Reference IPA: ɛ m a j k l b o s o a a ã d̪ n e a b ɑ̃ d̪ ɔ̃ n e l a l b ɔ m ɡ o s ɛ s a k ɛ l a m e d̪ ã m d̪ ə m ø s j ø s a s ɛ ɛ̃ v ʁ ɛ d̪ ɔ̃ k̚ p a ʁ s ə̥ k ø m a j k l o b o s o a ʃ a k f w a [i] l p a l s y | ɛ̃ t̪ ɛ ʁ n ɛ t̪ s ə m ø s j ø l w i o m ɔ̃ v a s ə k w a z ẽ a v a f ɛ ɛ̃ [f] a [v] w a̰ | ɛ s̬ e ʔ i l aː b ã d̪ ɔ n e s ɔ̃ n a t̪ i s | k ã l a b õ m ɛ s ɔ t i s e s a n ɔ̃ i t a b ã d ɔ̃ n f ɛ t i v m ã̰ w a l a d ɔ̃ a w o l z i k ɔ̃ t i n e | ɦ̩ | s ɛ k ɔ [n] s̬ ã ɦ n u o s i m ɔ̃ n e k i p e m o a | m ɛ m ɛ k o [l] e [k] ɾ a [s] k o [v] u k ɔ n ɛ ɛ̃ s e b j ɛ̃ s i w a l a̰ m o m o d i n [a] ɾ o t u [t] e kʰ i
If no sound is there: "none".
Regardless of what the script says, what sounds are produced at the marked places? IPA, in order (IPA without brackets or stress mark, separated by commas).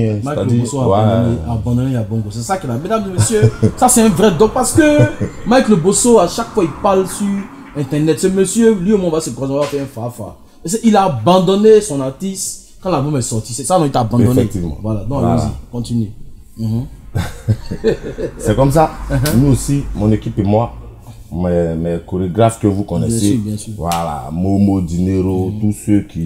i, f, f, m, ɾ, ɡ, f, v, e, s